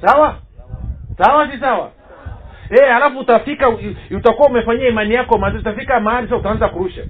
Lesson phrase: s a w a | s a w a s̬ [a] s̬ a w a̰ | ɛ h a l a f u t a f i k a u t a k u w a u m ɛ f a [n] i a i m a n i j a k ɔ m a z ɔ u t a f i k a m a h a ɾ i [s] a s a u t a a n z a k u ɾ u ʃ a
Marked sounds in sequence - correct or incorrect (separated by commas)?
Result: incorrect, incorrect, correct